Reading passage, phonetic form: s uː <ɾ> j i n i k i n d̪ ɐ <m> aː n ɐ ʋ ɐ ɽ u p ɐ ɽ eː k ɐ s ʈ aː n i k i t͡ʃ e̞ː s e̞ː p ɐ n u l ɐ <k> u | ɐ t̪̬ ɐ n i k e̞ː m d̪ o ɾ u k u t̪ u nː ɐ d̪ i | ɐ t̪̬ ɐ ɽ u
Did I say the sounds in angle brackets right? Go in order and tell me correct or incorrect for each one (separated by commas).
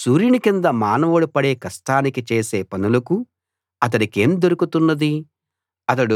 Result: correct, correct, correct